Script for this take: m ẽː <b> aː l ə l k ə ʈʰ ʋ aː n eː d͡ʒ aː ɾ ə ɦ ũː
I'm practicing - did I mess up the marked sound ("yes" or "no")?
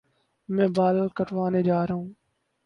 no